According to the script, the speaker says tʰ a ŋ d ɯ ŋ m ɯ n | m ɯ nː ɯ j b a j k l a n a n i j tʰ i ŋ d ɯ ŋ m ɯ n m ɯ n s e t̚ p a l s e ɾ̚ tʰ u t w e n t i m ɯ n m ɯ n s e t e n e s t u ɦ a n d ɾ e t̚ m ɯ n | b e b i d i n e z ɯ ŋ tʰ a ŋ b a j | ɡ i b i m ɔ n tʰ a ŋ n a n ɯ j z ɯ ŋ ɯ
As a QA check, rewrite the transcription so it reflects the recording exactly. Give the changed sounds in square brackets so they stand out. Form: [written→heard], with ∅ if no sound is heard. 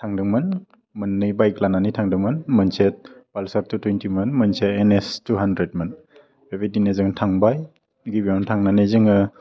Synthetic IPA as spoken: tʰ a ŋ d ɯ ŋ m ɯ n | m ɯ nː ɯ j b a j k l a n a n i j tʰ [i→a] ŋ d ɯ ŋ m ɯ n m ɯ n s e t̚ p a l s [e→a] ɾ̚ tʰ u t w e n t i m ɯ n m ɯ n s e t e n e s t u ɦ a n d ɾ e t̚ m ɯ n | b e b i d i n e z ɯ ŋ tʰ a ŋ b a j | ɡ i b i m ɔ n tʰ a ŋ n a n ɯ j z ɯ ŋ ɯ